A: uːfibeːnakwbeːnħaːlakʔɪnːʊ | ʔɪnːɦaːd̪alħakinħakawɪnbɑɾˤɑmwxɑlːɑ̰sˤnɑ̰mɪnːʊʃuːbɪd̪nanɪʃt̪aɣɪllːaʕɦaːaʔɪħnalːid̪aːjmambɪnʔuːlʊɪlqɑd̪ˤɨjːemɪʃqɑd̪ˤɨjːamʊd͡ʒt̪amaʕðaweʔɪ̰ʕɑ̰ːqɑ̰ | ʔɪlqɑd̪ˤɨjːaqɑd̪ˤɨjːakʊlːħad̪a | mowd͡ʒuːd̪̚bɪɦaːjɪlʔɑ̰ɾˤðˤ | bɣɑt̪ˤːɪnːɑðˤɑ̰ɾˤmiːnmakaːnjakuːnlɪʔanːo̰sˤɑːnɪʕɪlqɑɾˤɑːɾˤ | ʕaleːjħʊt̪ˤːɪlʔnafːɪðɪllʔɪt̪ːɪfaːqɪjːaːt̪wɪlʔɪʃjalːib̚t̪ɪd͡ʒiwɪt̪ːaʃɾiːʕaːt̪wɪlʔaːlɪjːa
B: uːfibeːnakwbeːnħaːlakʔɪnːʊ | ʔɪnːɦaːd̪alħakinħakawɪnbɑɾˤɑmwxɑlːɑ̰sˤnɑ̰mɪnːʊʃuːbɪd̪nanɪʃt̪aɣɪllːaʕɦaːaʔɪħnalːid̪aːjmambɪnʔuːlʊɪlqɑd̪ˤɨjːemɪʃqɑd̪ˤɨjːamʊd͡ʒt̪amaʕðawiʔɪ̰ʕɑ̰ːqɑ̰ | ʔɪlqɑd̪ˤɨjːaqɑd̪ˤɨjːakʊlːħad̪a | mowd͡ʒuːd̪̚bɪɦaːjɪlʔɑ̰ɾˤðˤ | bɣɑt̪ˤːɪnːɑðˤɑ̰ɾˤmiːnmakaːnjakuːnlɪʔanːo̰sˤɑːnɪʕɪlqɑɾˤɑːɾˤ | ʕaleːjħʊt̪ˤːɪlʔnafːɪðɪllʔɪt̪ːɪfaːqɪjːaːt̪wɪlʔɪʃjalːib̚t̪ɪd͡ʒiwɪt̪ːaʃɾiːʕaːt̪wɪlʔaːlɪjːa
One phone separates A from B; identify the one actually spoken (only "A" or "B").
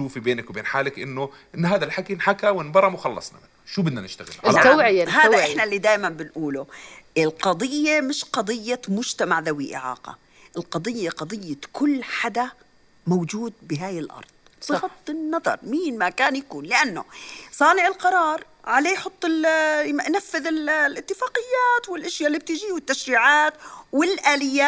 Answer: B